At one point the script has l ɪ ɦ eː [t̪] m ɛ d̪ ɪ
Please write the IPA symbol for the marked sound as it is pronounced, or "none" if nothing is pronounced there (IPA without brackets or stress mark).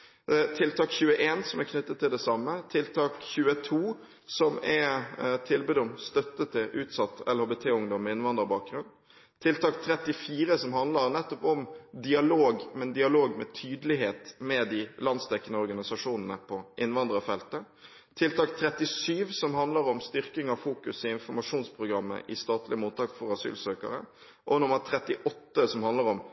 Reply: t̪